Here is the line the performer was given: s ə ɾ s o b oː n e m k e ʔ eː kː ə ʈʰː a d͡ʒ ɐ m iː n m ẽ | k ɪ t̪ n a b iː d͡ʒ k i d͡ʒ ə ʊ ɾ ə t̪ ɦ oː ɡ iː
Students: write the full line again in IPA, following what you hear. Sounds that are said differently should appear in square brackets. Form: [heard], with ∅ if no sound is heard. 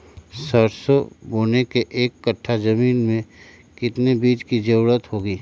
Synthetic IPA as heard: s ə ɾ s o b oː n e [∅] k e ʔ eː kː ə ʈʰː a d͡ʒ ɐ m iː n m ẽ | k ɪ t̪ n [e] b iː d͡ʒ k i d͡ʒ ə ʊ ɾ ə t̪ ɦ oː ɡ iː